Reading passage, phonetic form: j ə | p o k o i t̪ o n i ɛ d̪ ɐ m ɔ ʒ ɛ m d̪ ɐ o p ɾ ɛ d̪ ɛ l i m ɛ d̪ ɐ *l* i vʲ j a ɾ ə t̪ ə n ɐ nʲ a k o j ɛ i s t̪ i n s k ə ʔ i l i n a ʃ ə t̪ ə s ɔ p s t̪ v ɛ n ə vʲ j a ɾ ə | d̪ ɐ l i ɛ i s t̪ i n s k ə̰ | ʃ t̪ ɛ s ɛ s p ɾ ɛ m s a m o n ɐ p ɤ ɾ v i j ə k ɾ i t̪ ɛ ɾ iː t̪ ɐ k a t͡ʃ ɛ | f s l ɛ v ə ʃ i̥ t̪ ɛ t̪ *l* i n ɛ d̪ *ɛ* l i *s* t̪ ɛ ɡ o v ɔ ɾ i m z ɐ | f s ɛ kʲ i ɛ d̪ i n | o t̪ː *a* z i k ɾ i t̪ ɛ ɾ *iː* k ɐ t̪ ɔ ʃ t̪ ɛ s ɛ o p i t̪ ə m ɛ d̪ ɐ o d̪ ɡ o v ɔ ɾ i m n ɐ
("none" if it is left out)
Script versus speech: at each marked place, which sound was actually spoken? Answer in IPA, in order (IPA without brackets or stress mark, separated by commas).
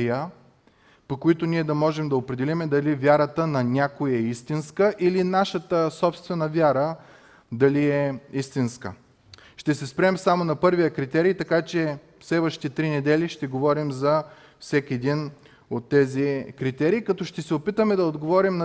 l, ɾ, ɛ, ʃ, ɛ, iː